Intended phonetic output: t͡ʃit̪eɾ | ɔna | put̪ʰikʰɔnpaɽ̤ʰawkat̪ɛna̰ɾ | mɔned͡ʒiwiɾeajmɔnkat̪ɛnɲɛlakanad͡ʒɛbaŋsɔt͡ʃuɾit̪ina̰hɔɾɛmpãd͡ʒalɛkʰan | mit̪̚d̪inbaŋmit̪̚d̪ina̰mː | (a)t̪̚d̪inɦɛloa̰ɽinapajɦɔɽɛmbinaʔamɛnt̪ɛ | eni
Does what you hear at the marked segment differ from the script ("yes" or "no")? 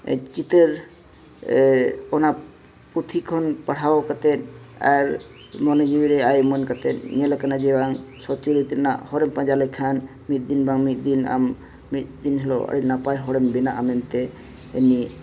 yes